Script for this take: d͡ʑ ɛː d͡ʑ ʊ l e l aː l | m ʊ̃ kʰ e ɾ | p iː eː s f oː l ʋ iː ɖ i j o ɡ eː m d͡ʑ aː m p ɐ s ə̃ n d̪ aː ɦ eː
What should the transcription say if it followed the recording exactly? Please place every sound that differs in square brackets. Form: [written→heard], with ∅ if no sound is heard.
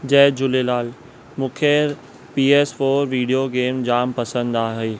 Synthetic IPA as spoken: d͡ʑ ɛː d͡ʑ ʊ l e l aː l | m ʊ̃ kʰ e ɾ | p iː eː s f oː [l→ɾ] ʋ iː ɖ i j o ɡ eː m d͡ʑ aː m p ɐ s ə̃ n d̪ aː ɦ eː